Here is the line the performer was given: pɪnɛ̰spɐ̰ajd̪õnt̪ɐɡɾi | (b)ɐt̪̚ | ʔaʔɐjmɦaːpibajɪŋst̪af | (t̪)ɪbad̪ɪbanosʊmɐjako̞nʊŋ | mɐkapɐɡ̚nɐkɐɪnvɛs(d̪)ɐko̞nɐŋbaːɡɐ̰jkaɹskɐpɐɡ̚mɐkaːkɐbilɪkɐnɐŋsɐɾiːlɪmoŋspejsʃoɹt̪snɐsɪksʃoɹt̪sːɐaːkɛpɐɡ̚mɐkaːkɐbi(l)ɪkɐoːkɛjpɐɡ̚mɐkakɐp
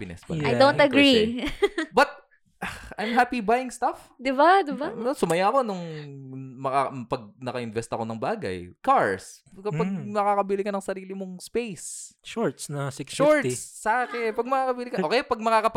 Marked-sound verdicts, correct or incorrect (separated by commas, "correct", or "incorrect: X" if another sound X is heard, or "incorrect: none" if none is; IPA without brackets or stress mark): correct, incorrect: d̪, incorrect: t̪, correct